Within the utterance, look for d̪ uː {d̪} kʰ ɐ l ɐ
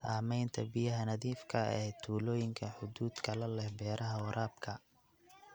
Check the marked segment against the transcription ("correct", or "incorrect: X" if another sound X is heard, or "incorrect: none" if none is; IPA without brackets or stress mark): correct